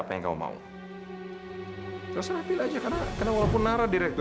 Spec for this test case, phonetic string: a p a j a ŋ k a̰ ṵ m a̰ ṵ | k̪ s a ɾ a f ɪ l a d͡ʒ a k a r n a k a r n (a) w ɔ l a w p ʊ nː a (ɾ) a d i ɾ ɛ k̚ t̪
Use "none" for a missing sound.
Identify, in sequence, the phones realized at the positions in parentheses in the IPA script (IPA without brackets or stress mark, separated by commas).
a, ɾ